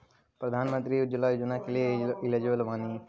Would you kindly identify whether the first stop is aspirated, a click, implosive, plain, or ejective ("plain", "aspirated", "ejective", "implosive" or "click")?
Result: plain